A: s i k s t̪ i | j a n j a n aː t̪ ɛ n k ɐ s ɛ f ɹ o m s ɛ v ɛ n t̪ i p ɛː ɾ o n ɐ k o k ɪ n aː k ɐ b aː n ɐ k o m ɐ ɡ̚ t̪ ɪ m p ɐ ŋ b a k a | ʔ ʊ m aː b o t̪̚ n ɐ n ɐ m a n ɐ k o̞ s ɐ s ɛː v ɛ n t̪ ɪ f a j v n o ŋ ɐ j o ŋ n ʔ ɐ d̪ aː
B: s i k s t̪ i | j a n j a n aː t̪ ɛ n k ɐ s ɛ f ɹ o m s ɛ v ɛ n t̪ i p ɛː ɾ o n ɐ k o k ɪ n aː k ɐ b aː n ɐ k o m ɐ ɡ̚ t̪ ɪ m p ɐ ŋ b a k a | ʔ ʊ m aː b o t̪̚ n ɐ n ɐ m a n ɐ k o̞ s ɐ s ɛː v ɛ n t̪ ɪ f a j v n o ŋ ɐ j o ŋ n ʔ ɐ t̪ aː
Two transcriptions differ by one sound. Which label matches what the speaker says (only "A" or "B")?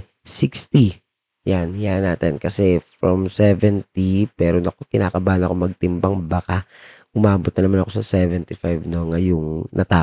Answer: B